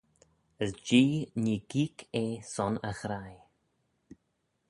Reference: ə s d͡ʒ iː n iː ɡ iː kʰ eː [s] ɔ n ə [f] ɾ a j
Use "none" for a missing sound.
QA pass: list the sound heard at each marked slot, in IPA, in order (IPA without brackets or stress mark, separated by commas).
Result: s, x